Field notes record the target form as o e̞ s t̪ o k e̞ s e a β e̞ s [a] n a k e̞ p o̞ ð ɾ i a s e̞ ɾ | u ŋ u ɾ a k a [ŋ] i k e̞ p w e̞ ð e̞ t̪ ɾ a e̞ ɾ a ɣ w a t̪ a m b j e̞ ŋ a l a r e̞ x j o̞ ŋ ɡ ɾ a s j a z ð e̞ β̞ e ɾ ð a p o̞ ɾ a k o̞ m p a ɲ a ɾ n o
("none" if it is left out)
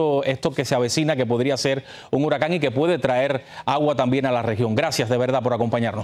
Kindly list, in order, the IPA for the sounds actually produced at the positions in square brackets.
i, ŋ

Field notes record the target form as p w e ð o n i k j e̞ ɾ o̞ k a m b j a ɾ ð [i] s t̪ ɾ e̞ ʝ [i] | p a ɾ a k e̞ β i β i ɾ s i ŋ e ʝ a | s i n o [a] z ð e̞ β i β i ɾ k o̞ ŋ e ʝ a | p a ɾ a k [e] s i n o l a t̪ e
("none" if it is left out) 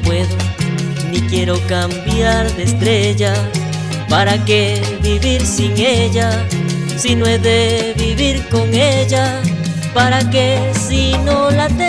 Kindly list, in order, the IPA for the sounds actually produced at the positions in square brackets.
e, a, e, e

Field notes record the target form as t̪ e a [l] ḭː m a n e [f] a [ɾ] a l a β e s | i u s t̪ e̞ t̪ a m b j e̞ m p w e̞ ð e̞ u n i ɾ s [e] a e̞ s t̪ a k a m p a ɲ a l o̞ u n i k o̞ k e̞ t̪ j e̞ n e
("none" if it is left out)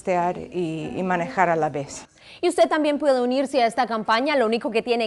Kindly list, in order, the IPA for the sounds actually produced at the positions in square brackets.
ɾ, x, ɾ, e

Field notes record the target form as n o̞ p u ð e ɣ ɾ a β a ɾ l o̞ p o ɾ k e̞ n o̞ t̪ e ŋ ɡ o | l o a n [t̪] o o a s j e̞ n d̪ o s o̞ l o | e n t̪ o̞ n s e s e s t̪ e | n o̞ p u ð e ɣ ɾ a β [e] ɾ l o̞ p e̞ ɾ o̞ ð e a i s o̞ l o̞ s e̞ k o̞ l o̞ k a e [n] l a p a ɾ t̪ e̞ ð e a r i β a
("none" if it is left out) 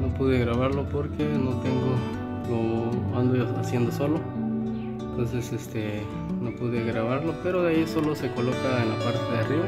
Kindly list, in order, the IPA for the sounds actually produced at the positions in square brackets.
d̪, a, n

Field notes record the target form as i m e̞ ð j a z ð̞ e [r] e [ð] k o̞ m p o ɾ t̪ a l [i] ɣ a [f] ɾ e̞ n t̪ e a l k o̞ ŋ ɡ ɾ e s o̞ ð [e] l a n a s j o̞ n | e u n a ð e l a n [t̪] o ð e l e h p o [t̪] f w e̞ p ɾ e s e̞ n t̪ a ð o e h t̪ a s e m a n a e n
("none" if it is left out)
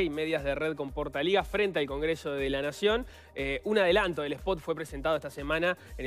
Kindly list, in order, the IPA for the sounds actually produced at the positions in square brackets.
r, ð, i, f, e, t̪, t̪

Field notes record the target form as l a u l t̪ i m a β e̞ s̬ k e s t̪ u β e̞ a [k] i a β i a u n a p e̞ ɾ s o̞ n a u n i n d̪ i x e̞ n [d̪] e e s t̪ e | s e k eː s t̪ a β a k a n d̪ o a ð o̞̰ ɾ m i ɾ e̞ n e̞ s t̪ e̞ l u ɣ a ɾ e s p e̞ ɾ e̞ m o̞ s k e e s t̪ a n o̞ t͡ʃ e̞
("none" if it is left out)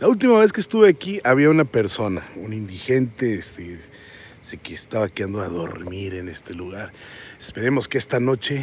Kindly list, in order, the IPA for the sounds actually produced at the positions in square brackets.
k, t̪

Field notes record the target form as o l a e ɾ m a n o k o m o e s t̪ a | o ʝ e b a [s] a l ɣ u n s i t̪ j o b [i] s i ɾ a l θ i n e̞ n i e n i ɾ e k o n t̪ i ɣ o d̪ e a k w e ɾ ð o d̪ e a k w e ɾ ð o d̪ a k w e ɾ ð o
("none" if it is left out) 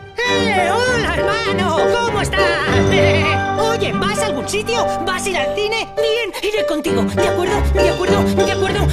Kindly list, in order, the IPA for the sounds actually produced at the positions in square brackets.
s, a

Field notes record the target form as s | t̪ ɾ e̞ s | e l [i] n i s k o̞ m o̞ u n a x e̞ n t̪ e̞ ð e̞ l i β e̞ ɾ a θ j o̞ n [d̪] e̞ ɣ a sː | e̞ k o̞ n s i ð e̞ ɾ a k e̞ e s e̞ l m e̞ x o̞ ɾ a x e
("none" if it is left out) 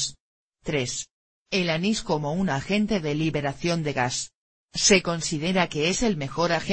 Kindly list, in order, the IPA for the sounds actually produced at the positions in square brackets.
a, d̪

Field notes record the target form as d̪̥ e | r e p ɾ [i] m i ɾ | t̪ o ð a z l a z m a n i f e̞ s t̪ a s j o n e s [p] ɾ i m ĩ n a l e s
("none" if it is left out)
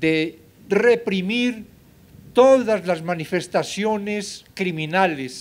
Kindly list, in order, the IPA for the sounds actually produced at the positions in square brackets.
i, k

